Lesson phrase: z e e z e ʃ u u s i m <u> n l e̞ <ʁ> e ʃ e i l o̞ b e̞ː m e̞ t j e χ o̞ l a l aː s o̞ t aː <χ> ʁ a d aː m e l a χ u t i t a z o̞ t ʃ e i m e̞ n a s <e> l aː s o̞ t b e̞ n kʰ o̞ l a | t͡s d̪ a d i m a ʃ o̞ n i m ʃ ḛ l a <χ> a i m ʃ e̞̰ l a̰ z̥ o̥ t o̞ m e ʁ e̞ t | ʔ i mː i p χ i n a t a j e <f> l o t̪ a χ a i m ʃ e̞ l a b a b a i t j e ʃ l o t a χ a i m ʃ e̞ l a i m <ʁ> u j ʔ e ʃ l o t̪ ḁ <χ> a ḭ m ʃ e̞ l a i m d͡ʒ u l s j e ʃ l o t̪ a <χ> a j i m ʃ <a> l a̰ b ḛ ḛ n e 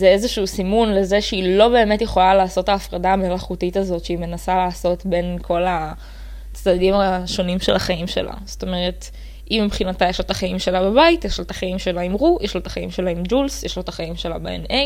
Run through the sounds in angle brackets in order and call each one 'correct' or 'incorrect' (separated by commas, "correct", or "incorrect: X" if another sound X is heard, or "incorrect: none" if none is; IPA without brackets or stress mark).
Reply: correct, incorrect: z, incorrect: f, incorrect: a, correct, incorrect: ʃ, correct, correct, correct, incorrect: e